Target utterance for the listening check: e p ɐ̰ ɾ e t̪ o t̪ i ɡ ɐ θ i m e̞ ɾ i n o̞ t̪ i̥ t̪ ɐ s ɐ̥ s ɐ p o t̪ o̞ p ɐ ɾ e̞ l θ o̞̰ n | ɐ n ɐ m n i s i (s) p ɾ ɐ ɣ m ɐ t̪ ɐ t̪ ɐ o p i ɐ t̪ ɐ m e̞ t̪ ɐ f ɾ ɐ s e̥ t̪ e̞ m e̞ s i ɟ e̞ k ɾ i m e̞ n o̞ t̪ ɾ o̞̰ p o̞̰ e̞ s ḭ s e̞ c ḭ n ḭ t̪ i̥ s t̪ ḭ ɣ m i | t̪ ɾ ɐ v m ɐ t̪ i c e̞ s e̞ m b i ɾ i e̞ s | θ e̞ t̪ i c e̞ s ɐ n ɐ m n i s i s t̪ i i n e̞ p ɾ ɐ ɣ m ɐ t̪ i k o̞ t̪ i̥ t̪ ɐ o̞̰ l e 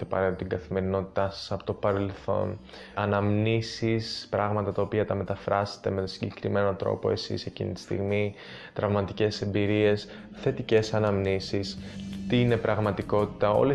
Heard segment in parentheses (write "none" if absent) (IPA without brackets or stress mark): s